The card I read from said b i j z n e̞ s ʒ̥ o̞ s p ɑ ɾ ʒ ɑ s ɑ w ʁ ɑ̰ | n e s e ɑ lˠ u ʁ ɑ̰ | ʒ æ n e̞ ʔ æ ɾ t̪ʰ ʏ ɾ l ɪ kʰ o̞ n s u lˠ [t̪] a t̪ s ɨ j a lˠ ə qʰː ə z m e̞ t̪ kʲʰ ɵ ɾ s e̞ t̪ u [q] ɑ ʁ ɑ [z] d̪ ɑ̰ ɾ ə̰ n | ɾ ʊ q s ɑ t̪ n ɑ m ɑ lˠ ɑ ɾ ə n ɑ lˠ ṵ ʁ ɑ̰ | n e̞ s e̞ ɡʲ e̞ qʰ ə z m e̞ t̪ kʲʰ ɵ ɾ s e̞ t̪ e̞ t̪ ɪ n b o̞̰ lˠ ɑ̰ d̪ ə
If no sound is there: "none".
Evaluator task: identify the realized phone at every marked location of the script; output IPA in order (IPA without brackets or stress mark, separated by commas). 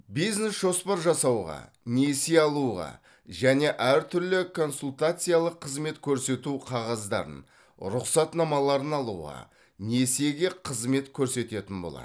t̪, qʰ, z